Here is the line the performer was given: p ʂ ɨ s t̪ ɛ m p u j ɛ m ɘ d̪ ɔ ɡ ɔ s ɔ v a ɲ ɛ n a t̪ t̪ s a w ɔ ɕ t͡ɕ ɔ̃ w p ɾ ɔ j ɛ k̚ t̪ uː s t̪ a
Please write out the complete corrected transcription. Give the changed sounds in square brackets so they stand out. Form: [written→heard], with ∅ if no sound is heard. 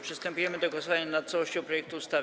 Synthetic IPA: p ʂ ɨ s t̪ ɛ m p u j ɛ m ɘ d̪ ɔ ɡ ɔ s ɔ v a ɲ [ɛ→a] n a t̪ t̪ s a w ɔ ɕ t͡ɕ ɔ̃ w p ɾ ɔ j ɛ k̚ t̪ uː s t̪ a

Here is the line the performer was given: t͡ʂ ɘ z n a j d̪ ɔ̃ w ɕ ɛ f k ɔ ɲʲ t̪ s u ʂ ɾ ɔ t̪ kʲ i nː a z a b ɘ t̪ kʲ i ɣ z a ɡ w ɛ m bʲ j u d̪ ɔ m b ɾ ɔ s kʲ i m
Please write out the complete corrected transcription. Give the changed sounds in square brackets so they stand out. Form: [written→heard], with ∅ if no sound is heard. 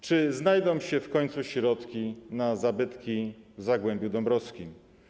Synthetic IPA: t͡ʂ ɘ z n a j d̪ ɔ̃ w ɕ ɛ f k ɔ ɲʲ t̪ s u [ʂ→ɕ] ɾ ɔ t̪ kʲ i [nː→n] a z a b ɘ t̪ kʲ i [ɣ→v] z a ɡ w ɛ m bʲ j u d̪ ɔ m b ɾ ɔ s kʲ i m

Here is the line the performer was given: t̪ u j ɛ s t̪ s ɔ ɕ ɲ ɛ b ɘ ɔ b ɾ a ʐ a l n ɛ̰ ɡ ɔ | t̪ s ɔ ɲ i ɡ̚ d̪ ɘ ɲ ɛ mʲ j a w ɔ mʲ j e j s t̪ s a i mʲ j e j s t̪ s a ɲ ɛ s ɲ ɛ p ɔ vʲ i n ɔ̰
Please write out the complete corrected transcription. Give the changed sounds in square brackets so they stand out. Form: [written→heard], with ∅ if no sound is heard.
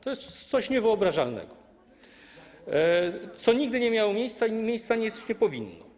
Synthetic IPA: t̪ [u→ɔ] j ɛ s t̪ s ɔ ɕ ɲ ɛ [b→v] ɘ ɔ b ɾ a ʐ a l n ɛ̰ ɡ ɔ | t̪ s ɔ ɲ i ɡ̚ d̪ ɘ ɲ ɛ mʲ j a w ɔ mʲ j e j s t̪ s a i mʲ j e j s t̪ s a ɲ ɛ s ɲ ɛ p ɔ vʲ i [n→nː] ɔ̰

